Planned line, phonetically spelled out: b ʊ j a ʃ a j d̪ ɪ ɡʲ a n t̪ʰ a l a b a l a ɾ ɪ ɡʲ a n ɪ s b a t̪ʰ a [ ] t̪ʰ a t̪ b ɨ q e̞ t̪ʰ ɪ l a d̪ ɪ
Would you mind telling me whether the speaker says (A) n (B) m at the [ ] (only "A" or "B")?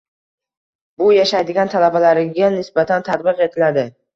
A